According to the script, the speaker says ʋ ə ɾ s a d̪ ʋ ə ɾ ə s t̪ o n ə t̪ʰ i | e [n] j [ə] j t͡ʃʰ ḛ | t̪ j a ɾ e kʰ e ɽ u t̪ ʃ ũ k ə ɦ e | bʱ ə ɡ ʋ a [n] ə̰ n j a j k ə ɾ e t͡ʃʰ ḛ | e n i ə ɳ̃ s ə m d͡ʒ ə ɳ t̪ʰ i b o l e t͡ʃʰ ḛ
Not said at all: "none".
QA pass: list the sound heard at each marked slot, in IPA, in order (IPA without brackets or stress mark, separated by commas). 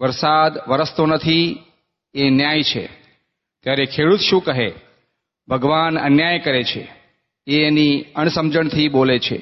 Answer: n, a, n